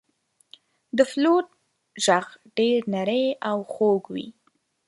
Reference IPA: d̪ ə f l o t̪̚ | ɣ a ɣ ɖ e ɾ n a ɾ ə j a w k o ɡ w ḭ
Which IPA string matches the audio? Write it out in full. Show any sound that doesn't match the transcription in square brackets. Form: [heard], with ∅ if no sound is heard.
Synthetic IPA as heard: d̪ ə f l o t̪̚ | [ʒ] a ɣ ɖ e ɾ n a ɾ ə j a w [x] o ɡ w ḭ